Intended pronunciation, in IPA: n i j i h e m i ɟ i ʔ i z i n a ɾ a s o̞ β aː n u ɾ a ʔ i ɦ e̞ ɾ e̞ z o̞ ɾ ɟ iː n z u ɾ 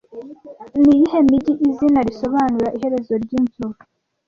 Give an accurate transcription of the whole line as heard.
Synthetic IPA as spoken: n i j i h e m i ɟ i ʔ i z i n a ɾ i s o̞ β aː n u ɾ a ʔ i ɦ e̞ ɾ e̞ z o̞ ɾ ɟ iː n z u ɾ